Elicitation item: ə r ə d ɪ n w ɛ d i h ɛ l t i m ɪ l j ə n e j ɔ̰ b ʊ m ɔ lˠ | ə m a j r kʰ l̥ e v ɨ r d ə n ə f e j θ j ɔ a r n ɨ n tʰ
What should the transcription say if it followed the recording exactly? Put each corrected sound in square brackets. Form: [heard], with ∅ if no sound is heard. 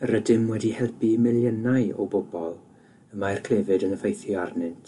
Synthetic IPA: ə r ə d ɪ [m] w ɛ d i h ɛ l [p] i m ɪ l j ə n [a] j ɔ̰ b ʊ [b] ɔ lˠ | ə m a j r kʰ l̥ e v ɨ [∅] d ə n ə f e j θ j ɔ a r n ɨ n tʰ